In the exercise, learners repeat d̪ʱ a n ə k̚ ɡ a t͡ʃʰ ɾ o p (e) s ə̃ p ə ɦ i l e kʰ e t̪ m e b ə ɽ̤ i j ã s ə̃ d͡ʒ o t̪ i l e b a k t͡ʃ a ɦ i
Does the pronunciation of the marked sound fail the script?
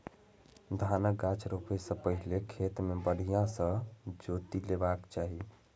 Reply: no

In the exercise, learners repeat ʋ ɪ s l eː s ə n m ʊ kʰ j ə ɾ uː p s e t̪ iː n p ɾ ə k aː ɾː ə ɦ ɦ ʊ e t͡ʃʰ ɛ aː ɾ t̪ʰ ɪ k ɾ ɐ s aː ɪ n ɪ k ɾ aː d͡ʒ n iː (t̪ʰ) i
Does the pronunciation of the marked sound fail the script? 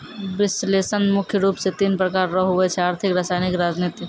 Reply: yes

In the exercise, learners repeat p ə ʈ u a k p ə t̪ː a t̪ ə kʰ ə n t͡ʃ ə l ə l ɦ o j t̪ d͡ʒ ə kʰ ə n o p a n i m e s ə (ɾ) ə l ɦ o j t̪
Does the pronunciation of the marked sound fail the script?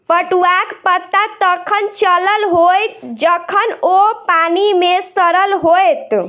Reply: no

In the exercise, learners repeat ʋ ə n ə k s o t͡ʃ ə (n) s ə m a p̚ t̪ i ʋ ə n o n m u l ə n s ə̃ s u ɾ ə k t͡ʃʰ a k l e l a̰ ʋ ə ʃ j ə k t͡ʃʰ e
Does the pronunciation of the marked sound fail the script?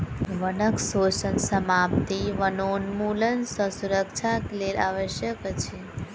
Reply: no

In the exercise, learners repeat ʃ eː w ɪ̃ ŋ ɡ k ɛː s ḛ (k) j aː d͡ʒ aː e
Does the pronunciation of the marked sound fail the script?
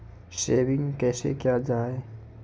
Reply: no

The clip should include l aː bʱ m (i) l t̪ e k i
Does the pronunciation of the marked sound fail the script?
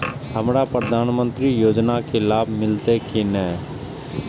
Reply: yes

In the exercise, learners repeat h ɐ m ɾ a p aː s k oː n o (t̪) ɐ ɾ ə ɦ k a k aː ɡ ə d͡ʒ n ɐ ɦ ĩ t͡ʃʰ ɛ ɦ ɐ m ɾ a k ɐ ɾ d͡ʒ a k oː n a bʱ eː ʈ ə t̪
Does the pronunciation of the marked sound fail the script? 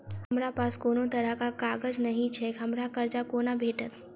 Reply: no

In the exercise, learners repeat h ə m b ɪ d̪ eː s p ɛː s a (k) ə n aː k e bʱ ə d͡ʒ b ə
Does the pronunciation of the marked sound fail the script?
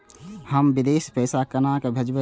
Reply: no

